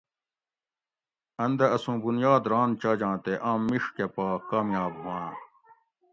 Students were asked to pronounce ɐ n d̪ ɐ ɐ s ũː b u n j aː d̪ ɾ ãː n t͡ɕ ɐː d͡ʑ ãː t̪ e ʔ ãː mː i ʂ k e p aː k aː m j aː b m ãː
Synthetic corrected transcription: ɐ n d̪ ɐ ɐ s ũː b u n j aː d̪ ɾ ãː n t͡ɕ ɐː d͡ʑ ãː t̪ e ʔ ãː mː i ʂ k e p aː k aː m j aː b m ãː